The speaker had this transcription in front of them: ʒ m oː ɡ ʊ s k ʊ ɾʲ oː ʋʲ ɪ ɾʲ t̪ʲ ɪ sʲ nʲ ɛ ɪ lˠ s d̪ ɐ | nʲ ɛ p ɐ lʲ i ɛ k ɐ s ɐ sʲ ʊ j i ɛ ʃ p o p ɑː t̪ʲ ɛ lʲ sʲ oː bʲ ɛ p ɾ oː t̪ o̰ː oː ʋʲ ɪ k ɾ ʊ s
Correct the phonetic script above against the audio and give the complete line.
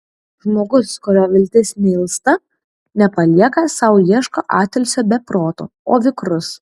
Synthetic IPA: ʒ m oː ɡ ʊ s k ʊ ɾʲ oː ʋʲ ɪ lʲ t̪ʲ ɪ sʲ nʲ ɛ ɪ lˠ s t̪ ɐ | nʲ ɛ p ɐ lʲ i ɛ k ɐ s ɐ ʊ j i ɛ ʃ k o ʔ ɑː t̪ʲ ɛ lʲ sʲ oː bʲ ɛ p ɾ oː t̪ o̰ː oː ʋʲ ɪ k ɾ ʊ s